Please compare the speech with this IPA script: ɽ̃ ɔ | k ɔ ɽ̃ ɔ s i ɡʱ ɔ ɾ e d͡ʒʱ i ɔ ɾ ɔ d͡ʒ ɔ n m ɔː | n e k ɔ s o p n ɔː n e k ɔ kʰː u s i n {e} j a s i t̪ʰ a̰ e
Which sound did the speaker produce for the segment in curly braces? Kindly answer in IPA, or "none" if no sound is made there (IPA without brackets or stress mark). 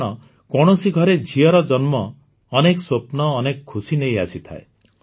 e